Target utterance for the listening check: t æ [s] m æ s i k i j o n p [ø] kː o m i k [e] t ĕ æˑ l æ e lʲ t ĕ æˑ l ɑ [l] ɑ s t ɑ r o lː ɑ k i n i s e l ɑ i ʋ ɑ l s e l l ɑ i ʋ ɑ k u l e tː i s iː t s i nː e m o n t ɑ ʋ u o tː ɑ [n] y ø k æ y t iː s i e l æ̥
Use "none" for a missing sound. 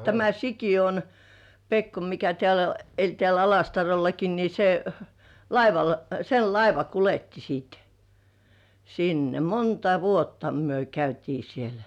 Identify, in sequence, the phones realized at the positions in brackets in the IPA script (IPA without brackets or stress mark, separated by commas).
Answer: none, e, æ, l, m